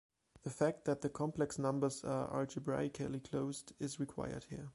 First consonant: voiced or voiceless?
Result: voiced